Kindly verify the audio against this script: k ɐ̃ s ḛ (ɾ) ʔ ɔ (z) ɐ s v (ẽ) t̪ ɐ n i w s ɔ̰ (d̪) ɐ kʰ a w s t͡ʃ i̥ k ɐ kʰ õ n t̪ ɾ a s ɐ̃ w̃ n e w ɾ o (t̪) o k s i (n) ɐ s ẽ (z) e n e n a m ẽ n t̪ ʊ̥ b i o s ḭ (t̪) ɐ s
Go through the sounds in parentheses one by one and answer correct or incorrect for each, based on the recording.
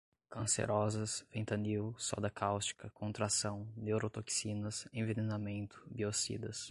correct, correct, correct, correct, correct, correct, incorrect, incorrect

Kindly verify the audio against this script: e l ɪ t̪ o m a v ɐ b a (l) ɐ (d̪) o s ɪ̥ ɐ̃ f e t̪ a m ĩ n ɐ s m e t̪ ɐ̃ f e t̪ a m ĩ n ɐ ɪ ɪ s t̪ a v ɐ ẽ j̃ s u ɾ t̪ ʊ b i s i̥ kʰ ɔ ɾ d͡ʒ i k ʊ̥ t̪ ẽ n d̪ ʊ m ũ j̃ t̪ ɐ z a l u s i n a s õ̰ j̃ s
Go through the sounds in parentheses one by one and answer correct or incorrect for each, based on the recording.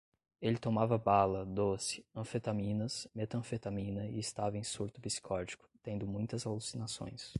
correct, correct

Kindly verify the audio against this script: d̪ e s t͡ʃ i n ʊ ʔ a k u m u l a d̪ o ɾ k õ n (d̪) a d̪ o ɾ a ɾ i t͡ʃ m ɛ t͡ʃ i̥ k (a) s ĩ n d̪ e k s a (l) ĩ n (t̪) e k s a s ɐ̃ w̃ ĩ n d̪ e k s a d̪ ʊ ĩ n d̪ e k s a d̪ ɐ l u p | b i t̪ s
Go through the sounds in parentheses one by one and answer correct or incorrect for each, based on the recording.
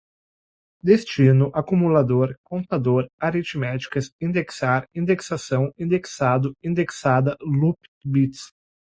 incorrect, incorrect, incorrect, incorrect

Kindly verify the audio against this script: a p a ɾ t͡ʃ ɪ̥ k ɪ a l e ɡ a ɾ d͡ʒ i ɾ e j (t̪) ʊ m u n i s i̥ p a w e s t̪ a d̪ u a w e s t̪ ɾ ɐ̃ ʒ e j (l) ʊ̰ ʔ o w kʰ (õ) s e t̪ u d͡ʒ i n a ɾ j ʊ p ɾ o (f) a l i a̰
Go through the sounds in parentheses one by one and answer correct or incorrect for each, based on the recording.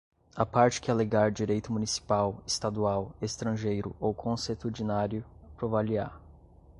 correct, incorrect, correct, incorrect

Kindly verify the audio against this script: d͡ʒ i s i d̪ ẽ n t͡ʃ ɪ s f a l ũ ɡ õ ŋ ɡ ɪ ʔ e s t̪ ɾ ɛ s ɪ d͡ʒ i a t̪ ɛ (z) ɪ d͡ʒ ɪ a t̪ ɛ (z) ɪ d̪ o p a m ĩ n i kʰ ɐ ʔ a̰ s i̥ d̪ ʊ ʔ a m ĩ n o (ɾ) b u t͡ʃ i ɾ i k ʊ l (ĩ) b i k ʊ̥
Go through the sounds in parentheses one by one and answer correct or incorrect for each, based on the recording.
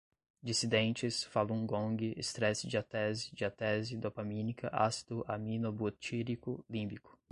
correct, correct, incorrect, correct

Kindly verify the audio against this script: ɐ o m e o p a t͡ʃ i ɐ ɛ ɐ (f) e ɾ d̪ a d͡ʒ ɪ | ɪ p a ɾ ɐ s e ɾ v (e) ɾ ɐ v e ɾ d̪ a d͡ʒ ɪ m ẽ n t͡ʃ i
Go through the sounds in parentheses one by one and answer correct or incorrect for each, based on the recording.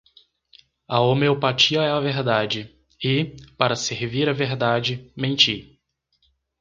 incorrect, incorrect

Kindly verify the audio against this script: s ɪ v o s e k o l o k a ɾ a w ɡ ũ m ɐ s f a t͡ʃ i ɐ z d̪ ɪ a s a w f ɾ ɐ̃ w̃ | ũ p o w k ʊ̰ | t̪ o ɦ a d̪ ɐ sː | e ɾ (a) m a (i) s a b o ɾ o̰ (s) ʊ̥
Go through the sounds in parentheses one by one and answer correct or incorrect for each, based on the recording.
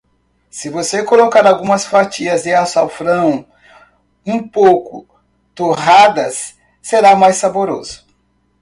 correct, incorrect, incorrect

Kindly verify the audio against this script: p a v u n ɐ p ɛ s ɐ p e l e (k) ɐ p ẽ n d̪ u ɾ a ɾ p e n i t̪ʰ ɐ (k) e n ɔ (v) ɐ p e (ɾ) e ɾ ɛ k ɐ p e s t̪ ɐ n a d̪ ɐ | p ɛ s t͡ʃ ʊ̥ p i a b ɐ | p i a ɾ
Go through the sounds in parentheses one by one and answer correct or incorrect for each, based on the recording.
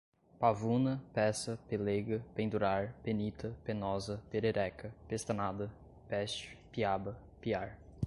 incorrect, incorrect, incorrect, correct

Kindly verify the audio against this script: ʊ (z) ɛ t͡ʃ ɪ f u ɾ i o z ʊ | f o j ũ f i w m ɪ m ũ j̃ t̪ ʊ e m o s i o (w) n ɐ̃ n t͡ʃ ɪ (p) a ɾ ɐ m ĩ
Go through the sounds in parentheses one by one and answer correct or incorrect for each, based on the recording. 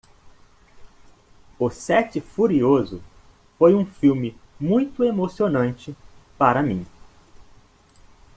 incorrect, incorrect, correct

